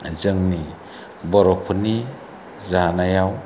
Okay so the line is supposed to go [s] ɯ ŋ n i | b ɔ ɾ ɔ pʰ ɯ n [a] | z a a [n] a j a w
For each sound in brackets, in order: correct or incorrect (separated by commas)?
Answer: incorrect, incorrect, correct